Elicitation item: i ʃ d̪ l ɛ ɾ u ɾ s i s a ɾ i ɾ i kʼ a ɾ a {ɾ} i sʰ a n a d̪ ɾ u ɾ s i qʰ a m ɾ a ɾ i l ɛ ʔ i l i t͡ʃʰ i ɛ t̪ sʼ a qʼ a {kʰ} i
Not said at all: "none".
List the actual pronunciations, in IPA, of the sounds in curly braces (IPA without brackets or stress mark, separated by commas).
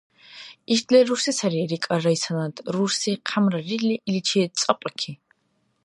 none, kʰ